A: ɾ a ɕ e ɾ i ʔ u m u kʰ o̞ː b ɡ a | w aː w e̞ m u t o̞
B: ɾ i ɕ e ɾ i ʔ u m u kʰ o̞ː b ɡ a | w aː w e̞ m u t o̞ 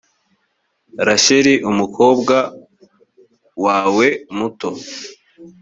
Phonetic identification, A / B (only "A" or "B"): A